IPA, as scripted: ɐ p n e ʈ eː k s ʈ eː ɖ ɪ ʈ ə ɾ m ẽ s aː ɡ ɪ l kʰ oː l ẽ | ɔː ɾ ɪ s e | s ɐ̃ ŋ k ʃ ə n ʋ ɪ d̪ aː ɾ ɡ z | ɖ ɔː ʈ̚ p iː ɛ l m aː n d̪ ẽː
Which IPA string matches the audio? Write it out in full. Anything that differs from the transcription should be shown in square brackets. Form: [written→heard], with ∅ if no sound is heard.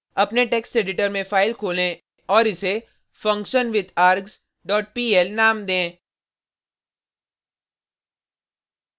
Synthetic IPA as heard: ɐ p n e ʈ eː k s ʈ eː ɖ ɪ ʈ ə ɾ m ẽ [s→f] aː [ɡ→∅] ɪ l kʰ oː l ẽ | ɔː ɾ ɪ s e | [s→f] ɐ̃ ŋ k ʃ ə n ʋ ɪ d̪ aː ɾ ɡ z | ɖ ɔː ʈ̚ p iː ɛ l [m→n] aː [n→m] d̪ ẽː